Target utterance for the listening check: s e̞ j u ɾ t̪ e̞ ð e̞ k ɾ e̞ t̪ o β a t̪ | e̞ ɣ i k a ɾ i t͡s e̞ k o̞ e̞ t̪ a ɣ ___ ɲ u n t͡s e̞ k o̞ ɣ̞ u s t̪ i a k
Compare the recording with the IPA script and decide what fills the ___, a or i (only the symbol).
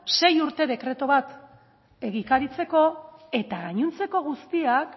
a